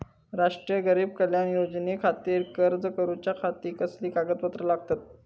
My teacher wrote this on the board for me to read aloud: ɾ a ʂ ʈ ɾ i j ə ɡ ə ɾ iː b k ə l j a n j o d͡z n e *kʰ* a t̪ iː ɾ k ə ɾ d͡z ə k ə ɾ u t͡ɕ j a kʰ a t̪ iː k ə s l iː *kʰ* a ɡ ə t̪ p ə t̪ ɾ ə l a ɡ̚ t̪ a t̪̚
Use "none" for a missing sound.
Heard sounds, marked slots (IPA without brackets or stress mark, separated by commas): kʰ, k